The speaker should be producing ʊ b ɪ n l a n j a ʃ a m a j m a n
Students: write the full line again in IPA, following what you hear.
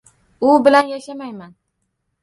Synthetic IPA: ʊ b ɪ l a n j a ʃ a m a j m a n